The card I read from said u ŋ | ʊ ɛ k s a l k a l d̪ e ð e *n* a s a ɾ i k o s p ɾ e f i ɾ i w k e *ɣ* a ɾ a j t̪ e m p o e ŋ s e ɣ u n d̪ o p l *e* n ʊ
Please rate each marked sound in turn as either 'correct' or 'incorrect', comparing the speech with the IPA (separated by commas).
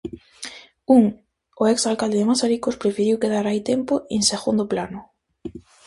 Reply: incorrect, incorrect, incorrect